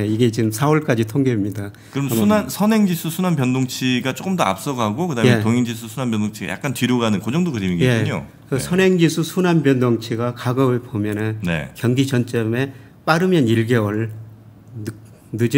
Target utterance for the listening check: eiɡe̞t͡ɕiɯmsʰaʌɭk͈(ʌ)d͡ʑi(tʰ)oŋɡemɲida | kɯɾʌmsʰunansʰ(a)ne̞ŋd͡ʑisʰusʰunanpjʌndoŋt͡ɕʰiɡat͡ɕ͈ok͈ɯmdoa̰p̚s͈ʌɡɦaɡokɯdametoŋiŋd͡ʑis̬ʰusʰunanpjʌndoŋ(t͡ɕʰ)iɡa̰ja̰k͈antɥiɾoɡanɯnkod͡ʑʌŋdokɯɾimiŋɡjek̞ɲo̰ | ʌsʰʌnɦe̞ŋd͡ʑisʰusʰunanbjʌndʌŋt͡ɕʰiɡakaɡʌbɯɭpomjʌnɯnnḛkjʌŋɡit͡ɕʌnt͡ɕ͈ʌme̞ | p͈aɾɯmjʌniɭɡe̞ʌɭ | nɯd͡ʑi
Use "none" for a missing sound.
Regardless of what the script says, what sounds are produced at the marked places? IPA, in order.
a, tʰ, ʌ, t͡ɕʰ

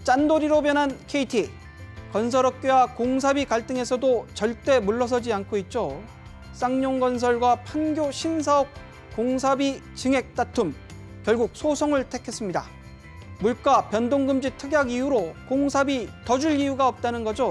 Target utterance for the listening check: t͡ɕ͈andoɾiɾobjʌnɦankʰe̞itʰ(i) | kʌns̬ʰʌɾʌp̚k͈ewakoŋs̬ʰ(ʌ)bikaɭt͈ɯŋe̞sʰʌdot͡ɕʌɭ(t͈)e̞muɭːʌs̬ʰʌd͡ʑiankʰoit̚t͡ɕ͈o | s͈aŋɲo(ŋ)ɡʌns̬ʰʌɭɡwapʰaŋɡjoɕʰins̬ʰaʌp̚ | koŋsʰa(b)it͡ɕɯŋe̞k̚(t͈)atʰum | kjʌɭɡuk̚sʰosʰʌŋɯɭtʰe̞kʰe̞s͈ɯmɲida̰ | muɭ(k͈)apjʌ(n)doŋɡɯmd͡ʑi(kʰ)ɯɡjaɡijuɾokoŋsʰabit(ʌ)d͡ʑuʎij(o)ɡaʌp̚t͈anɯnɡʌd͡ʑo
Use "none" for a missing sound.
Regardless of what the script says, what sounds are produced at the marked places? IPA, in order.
i, a, t͈, ŋ, b, t͈, k͈, n, tʰ, ʌ, u

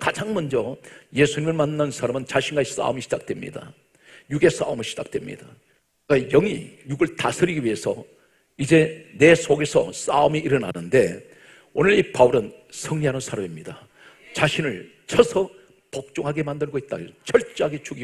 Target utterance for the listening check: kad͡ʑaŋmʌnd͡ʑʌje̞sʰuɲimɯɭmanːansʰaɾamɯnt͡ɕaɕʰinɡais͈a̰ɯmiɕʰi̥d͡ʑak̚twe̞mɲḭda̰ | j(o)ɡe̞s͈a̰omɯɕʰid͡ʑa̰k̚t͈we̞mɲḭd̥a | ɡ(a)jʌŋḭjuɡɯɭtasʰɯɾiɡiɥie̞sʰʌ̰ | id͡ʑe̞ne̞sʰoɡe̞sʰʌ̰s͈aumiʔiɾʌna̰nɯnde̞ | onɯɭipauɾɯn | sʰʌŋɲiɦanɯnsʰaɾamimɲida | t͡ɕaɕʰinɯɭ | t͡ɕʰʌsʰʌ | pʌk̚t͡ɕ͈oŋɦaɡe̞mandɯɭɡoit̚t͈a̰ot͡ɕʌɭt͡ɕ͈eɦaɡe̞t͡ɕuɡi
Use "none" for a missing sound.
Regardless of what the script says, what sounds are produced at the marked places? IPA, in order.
u, a

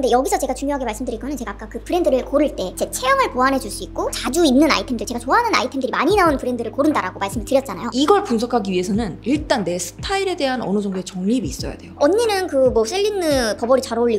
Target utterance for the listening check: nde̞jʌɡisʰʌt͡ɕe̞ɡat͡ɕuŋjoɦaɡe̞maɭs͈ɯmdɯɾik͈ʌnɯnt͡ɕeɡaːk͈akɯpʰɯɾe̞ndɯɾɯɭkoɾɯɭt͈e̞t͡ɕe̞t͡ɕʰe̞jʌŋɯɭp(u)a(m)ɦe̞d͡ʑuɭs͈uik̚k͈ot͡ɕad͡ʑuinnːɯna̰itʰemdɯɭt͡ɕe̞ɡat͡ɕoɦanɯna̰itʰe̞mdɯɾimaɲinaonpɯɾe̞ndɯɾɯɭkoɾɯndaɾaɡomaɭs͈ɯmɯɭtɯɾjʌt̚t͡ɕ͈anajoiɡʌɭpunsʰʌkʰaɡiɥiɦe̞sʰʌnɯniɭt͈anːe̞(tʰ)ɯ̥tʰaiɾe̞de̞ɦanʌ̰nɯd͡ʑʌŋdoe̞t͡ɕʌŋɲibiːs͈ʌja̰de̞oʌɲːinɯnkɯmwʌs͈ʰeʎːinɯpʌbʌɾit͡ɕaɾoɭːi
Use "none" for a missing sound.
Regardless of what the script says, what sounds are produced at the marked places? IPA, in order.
o, n, sʰ

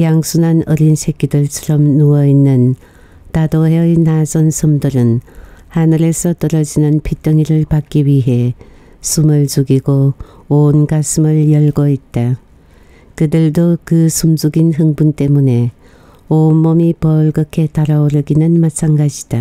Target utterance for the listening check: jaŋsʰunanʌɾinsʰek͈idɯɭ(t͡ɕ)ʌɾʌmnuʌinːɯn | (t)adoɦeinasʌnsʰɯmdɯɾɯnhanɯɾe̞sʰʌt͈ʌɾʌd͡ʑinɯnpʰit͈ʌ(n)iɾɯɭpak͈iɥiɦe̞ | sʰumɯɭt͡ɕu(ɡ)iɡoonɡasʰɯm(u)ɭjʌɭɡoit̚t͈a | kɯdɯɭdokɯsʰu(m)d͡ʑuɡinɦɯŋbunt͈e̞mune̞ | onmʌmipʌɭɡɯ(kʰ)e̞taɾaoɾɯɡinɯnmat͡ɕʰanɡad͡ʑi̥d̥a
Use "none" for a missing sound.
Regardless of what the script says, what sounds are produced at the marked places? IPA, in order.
t͡ɕʰ, t, ŋ, ɡ, ɯ, m, kʰ

